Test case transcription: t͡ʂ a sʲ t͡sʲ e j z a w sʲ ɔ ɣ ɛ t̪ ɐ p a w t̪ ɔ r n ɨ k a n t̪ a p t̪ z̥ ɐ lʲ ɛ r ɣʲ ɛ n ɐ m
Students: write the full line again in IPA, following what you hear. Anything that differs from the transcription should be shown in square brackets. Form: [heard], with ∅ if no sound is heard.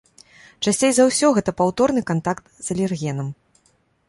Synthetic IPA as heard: t͡ʂ a sʲ t͡sʲ e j z a w sʲ ɔ ɣ ɛ t̪ ɐ p a w t̪ ɔ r n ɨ k a n t̪ a [k] t̪ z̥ ɐ lʲ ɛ r ɣʲ ɛ n ɐ m